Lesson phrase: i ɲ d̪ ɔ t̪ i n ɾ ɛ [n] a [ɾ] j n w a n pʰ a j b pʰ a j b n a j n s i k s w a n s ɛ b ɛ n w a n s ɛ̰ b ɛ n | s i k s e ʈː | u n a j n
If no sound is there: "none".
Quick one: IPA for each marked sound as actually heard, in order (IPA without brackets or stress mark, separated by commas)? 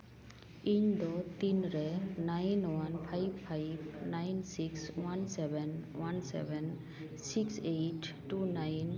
n, none